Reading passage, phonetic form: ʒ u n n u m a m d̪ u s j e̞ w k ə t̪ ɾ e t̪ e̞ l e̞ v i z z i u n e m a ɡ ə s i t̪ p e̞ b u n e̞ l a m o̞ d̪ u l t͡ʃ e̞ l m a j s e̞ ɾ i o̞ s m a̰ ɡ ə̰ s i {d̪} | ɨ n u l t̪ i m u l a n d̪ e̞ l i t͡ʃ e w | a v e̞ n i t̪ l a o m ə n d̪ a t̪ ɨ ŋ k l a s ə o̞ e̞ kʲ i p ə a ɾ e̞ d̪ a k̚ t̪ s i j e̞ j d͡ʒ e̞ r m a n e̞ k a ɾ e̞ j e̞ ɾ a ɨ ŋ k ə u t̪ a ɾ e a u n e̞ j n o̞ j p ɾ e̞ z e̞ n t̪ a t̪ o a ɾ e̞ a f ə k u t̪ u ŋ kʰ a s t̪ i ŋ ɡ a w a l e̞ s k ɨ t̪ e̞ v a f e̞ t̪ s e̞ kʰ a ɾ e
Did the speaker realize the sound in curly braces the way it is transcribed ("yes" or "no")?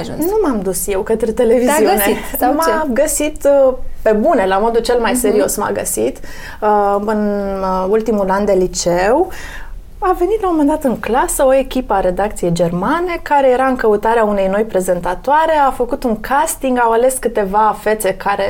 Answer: no